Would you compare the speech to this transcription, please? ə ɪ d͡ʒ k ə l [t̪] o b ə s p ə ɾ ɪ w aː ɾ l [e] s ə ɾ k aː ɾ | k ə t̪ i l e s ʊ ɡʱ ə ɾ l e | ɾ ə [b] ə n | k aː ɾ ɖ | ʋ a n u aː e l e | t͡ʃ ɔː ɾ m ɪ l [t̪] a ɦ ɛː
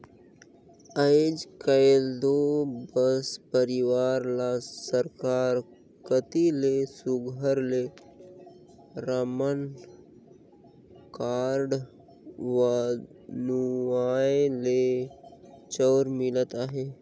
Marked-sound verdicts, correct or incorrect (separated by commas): incorrect, incorrect, incorrect, correct